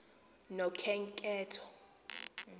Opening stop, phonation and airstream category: aspirated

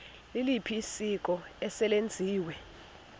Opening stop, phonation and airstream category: aspirated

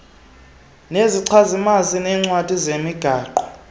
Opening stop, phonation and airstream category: click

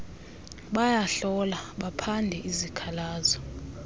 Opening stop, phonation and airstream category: implosive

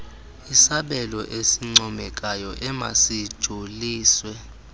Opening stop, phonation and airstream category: implosive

